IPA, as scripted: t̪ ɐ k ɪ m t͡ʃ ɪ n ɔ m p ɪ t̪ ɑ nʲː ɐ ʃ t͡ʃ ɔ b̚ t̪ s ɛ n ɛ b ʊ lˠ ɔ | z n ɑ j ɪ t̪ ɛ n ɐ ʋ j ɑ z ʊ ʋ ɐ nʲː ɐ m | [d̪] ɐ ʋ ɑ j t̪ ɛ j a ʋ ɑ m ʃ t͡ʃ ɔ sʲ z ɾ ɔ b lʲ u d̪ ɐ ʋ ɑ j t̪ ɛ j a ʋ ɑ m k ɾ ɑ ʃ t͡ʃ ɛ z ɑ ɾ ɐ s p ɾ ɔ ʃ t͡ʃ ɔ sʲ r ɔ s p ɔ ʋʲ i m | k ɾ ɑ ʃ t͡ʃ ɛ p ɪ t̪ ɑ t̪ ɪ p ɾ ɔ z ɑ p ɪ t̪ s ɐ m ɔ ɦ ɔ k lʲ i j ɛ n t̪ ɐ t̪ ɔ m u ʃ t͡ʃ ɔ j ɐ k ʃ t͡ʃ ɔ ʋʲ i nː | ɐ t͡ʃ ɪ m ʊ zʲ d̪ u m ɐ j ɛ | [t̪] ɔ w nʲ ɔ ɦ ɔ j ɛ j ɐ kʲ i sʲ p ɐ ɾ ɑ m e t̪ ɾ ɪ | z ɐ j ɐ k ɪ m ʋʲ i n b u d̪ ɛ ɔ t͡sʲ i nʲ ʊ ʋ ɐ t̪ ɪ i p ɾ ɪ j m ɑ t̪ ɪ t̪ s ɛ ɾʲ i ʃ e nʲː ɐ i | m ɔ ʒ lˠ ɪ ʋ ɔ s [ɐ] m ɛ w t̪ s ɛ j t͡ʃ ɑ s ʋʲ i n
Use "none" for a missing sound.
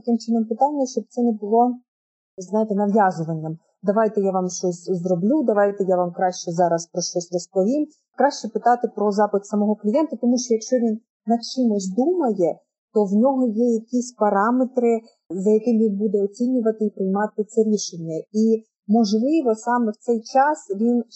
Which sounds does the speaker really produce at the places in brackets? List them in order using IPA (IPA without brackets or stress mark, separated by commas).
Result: d̪, t̪, ɑ